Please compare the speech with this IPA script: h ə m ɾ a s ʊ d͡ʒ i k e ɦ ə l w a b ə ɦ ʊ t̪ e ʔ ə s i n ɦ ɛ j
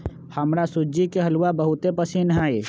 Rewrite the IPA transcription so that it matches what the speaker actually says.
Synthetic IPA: h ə m ɾ a s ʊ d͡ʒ i k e ɦ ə l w a b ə ɦ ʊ t̪ e p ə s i n ɦ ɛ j